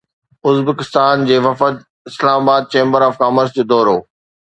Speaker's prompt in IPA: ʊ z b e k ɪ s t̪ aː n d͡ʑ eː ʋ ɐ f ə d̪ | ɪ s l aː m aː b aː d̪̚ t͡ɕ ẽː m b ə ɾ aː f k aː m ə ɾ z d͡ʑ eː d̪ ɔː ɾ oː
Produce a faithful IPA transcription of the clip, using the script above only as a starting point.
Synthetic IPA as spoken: ʊ z b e k ɪ s t̪ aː n d͡ʑ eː ʋ ɐ f ə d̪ | ɪ s l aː m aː b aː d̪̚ t͡ɕ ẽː m b ə ɾ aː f k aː m ə ɾ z d͡ʑ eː d̪ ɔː ɾ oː